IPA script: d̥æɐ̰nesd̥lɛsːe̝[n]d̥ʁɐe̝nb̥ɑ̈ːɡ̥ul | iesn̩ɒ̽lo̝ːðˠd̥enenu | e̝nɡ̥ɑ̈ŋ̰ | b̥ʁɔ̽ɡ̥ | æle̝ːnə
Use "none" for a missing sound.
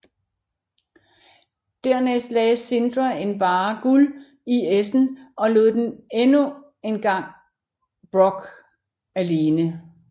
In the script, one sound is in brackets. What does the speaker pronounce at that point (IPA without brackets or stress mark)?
n